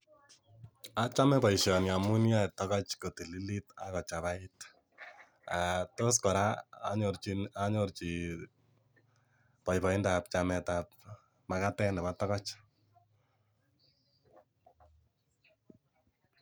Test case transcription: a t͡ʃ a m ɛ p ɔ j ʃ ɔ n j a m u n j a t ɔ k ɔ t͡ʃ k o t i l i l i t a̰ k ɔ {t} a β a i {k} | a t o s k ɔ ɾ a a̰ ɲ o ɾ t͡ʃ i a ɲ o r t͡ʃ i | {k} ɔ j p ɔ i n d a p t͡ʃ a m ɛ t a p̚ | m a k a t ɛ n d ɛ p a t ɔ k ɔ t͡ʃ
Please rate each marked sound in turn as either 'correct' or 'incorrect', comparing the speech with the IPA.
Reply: incorrect, incorrect, incorrect

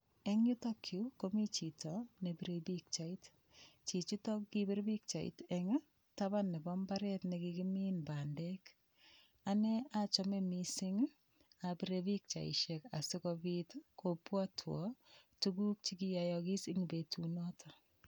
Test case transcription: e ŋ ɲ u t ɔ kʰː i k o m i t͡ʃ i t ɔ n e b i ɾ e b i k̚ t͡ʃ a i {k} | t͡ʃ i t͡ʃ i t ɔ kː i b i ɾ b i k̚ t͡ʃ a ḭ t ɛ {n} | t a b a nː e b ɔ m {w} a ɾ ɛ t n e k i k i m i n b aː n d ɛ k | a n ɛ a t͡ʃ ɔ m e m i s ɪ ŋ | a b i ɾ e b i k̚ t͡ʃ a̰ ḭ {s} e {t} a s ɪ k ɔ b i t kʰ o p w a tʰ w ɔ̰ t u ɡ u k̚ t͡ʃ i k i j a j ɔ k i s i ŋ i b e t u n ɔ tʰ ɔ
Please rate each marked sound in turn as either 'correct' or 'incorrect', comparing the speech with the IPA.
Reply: incorrect, incorrect, incorrect, incorrect, incorrect

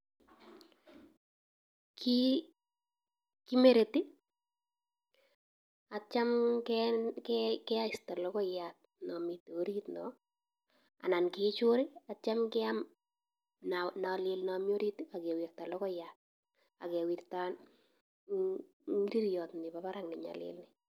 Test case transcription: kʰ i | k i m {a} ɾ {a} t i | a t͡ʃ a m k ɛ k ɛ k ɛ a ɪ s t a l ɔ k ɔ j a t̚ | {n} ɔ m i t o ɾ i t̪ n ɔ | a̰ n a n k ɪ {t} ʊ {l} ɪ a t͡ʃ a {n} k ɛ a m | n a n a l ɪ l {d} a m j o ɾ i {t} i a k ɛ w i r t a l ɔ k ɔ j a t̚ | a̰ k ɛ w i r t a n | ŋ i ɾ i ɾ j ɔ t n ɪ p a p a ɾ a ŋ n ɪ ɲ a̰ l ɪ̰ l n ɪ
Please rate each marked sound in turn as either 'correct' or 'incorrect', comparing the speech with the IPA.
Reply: incorrect, incorrect, correct, incorrect, incorrect, incorrect, incorrect, correct

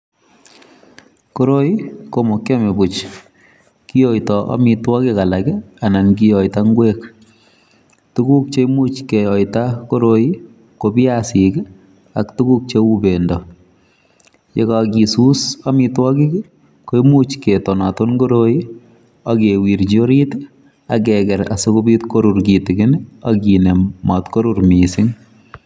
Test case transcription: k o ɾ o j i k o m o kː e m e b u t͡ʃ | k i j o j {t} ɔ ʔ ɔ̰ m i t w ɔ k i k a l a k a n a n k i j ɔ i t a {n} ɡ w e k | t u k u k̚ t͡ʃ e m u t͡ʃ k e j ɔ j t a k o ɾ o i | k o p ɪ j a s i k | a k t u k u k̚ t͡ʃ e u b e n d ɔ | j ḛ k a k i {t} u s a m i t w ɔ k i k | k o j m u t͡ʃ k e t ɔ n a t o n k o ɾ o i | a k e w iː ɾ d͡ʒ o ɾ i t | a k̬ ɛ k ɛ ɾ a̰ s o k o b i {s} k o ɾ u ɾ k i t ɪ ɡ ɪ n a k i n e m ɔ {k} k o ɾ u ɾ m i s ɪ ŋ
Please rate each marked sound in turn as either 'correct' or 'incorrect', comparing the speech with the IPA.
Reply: correct, incorrect, incorrect, incorrect, incorrect

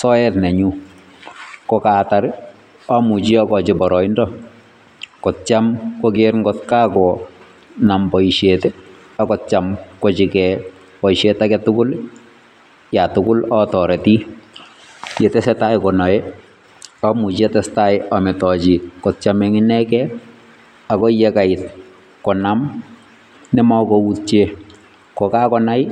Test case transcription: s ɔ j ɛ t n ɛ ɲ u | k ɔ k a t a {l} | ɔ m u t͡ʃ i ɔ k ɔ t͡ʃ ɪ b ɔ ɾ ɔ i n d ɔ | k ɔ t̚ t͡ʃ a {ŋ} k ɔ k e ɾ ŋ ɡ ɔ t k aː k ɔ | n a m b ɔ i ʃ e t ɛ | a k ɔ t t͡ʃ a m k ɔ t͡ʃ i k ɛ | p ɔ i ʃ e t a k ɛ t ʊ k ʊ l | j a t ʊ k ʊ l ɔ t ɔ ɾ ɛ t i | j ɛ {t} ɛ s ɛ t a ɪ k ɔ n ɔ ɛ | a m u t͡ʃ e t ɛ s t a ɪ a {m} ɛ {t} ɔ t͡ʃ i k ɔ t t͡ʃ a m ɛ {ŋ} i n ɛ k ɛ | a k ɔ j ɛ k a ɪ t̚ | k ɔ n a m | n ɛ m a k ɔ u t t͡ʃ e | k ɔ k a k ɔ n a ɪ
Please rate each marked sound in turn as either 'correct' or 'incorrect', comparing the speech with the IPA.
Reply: incorrect, incorrect, correct, correct, correct, correct

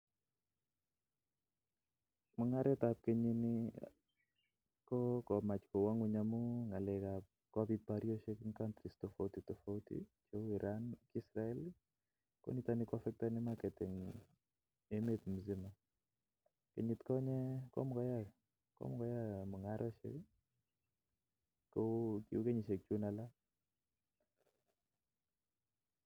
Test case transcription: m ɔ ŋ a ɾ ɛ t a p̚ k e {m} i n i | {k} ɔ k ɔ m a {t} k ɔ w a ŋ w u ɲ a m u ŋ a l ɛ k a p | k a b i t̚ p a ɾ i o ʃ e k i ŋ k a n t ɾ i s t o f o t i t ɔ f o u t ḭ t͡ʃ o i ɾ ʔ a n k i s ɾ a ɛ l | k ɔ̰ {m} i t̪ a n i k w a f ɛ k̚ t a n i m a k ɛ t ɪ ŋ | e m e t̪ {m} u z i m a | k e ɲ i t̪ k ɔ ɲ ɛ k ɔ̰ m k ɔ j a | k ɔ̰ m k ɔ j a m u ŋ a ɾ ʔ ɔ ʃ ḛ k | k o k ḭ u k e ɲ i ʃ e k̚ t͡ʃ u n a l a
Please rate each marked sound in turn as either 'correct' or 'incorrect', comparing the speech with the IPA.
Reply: incorrect, correct, incorrect, incorrect, correct

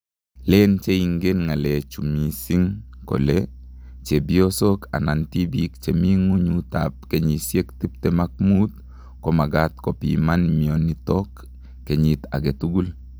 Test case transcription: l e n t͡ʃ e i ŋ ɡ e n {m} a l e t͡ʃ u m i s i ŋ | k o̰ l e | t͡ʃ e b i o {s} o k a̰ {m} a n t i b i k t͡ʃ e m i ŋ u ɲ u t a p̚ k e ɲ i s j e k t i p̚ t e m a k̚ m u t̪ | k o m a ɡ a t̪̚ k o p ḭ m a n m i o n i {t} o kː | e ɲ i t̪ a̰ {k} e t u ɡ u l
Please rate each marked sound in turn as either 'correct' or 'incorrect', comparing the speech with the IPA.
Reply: incorrect, correct, incorrect, correct, incorrect

